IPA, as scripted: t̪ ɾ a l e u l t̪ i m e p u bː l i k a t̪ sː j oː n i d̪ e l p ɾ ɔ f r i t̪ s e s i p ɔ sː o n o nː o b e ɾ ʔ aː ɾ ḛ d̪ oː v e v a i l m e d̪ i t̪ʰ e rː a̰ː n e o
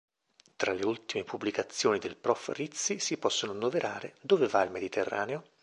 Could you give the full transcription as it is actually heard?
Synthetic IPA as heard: t̪ ɾ a l e u l t̪ i m e p u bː l i k a t̪ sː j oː n i d̪ e l p ɾ ɔ f r i t̪ s i s i p ɔ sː o n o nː o v e ɾ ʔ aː ɾ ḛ d̪ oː v e v a i l m e d̪ i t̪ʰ e rː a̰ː n e o